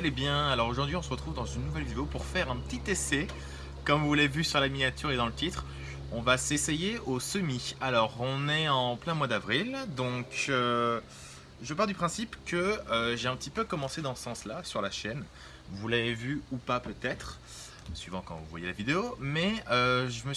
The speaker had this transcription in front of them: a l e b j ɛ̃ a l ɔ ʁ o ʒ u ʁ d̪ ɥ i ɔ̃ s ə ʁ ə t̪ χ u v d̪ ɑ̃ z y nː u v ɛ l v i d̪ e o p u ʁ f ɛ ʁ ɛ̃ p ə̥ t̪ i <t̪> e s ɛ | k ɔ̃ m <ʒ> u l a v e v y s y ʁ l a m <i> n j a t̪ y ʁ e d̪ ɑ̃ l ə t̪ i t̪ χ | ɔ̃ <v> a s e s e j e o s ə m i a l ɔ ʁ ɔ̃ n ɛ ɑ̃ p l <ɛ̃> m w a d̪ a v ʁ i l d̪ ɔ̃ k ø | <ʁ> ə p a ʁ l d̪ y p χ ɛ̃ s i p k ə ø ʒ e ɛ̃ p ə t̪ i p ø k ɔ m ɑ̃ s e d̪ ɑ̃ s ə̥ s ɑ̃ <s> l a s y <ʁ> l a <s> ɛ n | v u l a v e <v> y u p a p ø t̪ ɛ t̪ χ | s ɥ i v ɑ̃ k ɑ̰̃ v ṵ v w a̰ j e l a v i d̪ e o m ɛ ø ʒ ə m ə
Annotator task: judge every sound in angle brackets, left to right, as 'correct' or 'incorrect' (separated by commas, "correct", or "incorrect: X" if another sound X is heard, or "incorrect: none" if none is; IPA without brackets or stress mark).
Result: correct, incorrect: v, correct, correct, correct, incorrect: ʒ, correct, correct, incorrect: ʃ, correct